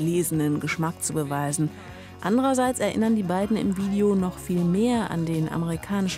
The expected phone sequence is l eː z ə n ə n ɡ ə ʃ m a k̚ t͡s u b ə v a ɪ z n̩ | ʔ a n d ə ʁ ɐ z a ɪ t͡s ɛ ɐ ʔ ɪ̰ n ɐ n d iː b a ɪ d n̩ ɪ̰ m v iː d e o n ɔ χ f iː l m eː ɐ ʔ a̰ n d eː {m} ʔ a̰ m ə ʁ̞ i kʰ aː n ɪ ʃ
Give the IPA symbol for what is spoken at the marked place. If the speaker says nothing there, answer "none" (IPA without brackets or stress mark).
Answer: n